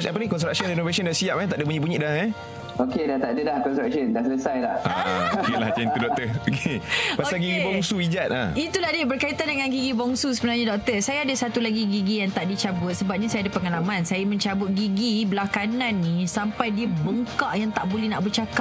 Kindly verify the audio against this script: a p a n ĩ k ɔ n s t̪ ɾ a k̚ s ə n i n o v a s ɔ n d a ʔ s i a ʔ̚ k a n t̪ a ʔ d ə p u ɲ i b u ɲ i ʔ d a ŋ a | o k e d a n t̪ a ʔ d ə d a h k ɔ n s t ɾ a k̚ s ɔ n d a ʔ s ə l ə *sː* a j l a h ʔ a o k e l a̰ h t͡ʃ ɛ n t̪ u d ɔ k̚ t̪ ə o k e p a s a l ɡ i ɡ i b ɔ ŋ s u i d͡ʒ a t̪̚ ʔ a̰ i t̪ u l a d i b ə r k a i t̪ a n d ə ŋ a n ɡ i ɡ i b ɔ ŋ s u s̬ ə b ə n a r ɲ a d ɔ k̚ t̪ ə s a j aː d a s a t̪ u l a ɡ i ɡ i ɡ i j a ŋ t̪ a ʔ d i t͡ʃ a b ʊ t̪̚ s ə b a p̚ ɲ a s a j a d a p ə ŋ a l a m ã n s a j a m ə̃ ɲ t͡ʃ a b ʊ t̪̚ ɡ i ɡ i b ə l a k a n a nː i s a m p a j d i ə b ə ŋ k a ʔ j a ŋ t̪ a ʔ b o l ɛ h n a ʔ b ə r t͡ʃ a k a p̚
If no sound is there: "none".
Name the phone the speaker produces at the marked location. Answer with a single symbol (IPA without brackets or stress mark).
s